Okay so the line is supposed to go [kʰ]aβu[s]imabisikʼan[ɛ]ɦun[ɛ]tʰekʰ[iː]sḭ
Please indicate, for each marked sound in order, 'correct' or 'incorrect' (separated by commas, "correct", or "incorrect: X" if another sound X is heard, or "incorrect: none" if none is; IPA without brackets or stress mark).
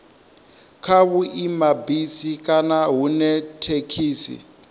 correct, incorrect: none, incorrect: a, correct, correct